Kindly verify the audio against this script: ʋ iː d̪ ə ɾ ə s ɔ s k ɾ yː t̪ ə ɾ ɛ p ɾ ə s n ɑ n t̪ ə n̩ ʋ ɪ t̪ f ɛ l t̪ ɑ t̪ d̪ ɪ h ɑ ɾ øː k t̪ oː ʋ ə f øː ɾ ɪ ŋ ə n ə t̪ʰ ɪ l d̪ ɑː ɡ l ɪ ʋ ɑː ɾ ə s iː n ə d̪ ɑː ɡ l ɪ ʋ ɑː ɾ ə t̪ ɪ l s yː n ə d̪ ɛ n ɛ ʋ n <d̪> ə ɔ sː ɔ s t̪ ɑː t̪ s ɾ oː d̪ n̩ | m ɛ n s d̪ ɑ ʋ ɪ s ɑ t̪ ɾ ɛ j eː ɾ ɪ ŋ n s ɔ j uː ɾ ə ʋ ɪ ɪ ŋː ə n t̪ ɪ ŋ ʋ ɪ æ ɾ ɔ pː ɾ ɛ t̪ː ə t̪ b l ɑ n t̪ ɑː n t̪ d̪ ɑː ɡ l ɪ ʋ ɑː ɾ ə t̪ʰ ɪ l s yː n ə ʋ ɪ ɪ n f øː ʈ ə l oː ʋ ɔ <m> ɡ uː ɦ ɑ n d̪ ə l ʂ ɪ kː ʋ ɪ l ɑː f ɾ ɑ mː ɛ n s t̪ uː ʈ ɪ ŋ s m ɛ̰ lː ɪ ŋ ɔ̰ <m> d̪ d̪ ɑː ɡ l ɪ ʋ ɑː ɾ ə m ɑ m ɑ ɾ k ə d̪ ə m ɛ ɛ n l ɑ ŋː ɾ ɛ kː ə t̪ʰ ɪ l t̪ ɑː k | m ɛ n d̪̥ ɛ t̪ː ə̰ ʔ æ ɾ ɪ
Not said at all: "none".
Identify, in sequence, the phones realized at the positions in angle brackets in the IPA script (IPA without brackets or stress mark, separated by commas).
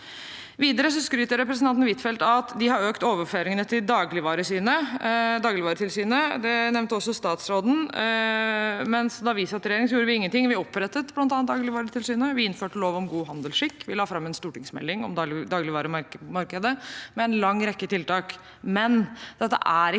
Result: t̪, m, m